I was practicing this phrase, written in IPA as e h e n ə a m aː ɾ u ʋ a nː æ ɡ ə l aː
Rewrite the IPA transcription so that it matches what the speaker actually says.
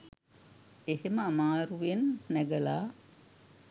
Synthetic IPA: e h e m ə a m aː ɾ u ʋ e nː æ ɡ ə l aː